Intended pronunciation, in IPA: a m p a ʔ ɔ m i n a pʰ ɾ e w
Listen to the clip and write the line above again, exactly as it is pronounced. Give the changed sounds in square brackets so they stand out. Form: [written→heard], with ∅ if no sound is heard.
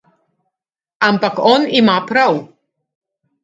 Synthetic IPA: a m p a [ʔ→k] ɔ [m→n] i [n→m] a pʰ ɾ [e→a] w